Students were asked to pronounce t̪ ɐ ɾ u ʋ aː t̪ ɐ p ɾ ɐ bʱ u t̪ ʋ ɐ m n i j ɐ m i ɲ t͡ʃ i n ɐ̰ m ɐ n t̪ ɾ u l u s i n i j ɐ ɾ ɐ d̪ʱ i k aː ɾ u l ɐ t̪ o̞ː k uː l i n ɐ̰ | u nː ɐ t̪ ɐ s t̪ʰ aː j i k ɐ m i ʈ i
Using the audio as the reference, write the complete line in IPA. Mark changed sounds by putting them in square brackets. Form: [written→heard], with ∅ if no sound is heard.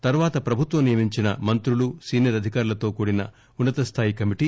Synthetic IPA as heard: t̪ ɐ ɾ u ʋ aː t̪ ɐ p ɾ ɐ bʱ u t̪ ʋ ɐ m n i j ɐ m i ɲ t͡ʃ i n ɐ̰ m ɐ n t̪ ɾ u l u s [i→iː] n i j ɐ ɾ ɐ d̪ʱ i k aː ɾ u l ɐ t̪ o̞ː k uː [l→ɽ] i n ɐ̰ | u nː ɐ t̪ ɐ s t̪ʰ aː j i k ɐ m i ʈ i